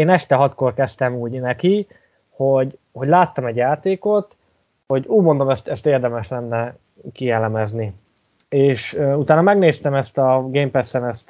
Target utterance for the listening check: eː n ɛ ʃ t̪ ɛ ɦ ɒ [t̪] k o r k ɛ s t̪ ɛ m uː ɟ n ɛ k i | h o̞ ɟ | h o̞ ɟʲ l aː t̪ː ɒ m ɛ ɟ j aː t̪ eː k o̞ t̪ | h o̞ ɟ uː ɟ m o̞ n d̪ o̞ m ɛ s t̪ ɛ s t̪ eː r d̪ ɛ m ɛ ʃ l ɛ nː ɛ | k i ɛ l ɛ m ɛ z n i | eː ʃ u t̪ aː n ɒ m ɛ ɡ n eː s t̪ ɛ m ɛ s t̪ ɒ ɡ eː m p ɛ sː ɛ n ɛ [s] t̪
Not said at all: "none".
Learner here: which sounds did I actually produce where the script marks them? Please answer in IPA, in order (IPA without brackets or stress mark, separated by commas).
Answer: t̪, s